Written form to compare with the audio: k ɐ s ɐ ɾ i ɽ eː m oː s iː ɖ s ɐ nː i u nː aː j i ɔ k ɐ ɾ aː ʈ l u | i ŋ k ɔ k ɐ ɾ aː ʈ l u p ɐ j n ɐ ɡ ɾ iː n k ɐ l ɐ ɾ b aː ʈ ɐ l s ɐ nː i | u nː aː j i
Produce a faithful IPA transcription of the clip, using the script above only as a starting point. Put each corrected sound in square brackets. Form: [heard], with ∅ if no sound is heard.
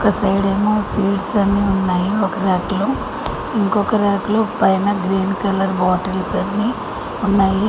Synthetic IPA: k ɐ s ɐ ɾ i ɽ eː m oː s iː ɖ s ɐ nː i u nː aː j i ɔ k ɐ ɾ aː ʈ l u | i ŋ k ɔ k ɐ ɾ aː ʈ l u p ɐ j n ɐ ɡ ɾ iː n k ɐ l ɐ ɾ b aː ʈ ɐ l s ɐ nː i | u nː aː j i